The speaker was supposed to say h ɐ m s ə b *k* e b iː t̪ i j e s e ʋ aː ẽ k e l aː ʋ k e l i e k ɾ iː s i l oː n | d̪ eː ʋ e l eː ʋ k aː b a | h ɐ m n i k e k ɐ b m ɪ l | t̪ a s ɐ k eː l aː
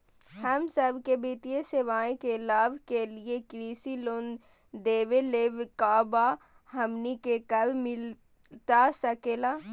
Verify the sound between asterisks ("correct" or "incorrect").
correct